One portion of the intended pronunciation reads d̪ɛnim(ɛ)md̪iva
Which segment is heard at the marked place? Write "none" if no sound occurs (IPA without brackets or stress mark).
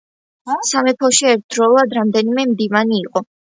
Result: ɛ